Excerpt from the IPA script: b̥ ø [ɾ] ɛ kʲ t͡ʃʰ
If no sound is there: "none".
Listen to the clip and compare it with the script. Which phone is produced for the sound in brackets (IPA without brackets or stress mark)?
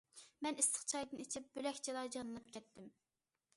l